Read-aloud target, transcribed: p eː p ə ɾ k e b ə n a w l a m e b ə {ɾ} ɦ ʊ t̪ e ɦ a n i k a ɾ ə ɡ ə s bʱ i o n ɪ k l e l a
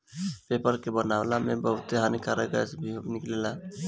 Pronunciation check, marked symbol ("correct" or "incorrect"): incorrect